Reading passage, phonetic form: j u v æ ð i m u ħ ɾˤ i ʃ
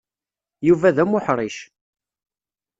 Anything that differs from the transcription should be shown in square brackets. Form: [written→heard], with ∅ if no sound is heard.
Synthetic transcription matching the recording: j u v æ ð [i→æ] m [u→ʊ] ħ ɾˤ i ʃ